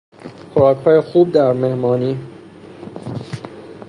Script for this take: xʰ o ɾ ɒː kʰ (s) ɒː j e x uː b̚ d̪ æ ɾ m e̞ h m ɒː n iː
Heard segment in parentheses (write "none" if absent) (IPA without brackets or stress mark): h